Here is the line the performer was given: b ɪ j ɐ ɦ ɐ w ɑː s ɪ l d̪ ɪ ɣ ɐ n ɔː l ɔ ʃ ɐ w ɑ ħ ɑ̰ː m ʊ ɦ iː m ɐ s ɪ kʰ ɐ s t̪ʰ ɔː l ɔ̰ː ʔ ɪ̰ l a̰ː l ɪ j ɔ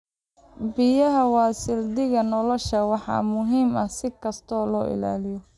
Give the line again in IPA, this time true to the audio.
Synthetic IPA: b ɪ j ɐ ɦ ɐ w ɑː s ɪ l d̪ ɪ ɣ ɐ n ɔ l ɔ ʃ ɐ w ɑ ħ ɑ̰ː m ʊ ɦ iː m ɐ s ɪ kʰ ɐ s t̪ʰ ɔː l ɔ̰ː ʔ ɪ̰ l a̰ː l ɪ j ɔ